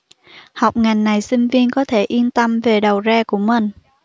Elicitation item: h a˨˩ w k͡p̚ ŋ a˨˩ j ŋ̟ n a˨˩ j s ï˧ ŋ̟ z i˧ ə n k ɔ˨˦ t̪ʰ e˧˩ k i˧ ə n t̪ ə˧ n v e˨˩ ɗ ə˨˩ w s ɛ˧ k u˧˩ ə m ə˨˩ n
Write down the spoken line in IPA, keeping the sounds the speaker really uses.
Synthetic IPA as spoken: h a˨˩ w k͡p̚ ŋ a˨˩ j ŋ̟ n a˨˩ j s ï˧ ŋ̟ v i˧ ə n k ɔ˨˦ t̪ʰ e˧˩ ʔ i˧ ə n t̪ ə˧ m v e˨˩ ɗ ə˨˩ w z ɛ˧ k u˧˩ ə m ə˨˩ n